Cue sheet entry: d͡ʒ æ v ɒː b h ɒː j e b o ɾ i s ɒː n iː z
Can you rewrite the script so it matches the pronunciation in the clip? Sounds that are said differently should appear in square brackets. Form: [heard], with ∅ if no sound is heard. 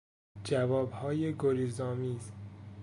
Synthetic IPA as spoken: d͡ʒ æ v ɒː b h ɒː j e [ɡ] o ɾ i [z] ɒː [m] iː z